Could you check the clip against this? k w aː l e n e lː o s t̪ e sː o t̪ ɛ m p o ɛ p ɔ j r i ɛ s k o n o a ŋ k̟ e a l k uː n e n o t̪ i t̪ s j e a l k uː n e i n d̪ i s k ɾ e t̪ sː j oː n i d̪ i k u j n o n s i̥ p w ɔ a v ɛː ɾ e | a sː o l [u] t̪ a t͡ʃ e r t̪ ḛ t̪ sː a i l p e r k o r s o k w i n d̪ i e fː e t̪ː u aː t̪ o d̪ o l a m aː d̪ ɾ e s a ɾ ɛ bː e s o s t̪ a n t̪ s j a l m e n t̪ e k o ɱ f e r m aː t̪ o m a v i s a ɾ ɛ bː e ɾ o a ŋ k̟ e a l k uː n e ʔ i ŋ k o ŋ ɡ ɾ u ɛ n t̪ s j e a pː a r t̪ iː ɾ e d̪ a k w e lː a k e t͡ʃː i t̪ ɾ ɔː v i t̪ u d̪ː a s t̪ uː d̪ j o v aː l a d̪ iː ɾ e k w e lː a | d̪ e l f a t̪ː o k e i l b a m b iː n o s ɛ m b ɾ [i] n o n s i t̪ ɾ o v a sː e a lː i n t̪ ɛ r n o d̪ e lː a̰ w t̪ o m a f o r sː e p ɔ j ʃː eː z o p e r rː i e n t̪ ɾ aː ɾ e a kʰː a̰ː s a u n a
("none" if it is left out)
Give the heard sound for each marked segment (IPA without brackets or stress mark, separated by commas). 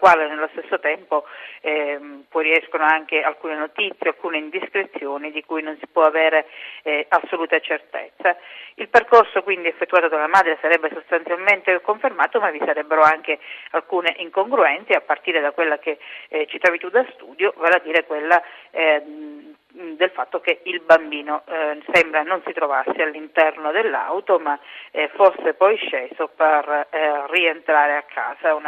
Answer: uː, a